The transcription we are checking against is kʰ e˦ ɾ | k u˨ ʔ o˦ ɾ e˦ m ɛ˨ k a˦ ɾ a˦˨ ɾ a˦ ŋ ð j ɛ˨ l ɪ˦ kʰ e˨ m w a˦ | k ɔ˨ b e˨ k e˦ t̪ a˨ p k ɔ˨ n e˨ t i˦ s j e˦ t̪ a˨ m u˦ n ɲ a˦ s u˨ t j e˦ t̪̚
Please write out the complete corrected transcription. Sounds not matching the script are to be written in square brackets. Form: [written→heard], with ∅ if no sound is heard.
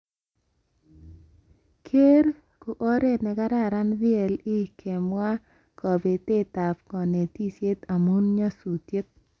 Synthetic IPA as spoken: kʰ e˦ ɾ | k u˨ ʔ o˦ ɾ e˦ [m→n] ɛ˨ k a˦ ɾ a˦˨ ɾ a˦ [ŋ→n] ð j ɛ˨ l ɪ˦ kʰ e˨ m w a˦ | k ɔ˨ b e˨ [k→t] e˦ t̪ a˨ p k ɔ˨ n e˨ t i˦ s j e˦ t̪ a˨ m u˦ n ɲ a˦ s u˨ t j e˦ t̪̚